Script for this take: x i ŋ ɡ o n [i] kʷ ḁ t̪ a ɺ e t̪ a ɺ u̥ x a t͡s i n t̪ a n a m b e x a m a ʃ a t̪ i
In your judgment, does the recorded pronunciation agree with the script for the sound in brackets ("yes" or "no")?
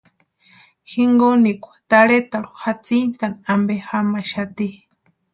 yes